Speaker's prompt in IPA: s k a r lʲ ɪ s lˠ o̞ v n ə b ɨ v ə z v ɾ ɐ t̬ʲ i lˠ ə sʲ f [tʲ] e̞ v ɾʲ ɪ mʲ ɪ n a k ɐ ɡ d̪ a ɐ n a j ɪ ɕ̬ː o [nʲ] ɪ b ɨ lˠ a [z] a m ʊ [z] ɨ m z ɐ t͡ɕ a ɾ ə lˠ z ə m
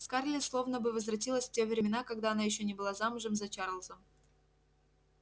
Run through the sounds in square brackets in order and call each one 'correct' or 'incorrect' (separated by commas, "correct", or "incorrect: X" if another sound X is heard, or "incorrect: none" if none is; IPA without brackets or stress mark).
correct, correct, correct, incorrect: ʐ